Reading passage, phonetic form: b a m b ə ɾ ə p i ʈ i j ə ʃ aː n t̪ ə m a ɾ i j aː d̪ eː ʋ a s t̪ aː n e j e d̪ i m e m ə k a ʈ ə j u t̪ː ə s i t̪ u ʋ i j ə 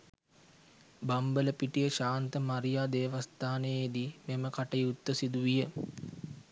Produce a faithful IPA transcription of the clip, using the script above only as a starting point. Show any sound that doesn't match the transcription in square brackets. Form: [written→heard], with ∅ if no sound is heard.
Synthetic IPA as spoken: b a m b ə [ɾ→l] ə p i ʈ i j ə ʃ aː n t̪ ə m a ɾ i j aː d̪ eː ʋ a s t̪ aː n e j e d̪ i m e m ə k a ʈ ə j u t̪ː ə s i [t̪→d̪] u ʋ i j ə